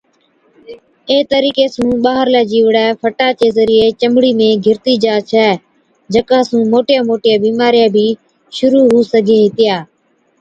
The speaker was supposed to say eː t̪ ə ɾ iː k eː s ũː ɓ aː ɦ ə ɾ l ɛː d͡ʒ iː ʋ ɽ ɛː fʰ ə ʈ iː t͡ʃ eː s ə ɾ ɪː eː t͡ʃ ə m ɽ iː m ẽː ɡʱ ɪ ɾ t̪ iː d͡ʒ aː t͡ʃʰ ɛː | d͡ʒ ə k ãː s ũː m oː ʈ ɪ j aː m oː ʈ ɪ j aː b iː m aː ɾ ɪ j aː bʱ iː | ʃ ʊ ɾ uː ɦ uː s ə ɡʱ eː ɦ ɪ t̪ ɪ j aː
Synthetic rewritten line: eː t̪ ə ɾ iː k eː s ũː ɓ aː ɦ ə ɾ l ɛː d͡ʒ iː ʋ ɽ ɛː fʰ ə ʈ aː t͡ʃ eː z ə ɾ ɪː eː t͡ʃ ə m ɽ iː m ẽː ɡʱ ɪ ɾ t̪ iː d͡ʒ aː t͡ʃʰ ɛː | d͡ʒ ə k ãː s ũː m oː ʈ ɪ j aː m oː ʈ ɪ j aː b iː m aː ɾ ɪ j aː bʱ iː | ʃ ʊ ɾ uː ɦ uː s ə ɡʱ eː ɦ ɪ t̪ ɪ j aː

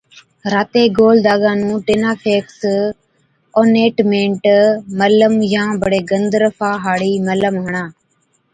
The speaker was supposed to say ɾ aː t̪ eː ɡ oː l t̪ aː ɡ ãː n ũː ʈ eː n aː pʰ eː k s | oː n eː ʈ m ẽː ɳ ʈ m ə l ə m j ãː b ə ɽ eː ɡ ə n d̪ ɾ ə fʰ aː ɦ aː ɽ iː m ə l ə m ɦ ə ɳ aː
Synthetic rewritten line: ɾ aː t̪ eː ɡ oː l d̪ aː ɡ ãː n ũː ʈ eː n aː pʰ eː k s | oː n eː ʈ m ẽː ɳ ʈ m ə l ə m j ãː b ə ɽ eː ɡ ə n d̪ ɾ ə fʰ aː ɦ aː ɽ iː m ə l ə m ɦ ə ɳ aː

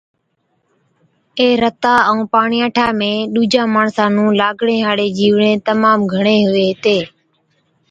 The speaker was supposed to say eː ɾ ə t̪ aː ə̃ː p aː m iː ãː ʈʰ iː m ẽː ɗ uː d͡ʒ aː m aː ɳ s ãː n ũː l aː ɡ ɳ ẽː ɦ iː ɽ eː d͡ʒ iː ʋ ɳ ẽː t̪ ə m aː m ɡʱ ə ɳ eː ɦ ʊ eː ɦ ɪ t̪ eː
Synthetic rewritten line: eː ɾ ə t̪ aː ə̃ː p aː ɳ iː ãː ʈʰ aː m ẽː ɗ uː d͡ʒ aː m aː ɳ s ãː n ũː l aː ɡ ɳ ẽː ɦ aː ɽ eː d͡ʒ iː ʋ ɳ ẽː t̪ ə m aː m ɡʱ ə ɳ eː ɦ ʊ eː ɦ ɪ t̪ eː

